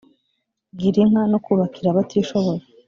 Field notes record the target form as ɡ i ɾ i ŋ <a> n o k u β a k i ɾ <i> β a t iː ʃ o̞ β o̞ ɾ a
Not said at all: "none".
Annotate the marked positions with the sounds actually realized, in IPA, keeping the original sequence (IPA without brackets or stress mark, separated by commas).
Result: a, a